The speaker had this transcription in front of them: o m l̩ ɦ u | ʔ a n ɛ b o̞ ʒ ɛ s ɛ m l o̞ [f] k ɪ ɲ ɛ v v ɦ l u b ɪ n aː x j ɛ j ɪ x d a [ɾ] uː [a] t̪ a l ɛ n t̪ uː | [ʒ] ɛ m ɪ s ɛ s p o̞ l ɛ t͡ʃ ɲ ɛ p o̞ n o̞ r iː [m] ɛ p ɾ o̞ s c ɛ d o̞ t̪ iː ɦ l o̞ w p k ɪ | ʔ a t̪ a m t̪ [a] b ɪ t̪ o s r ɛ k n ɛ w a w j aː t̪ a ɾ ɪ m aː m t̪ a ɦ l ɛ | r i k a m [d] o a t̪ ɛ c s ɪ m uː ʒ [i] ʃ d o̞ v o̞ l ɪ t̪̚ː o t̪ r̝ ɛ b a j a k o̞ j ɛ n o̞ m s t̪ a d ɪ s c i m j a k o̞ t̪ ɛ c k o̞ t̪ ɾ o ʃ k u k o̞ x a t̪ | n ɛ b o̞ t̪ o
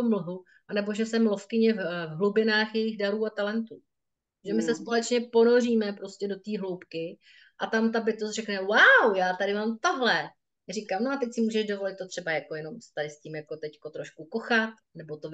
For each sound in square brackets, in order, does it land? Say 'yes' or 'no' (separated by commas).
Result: yes, yes, yes, yes, yes, yes, no, no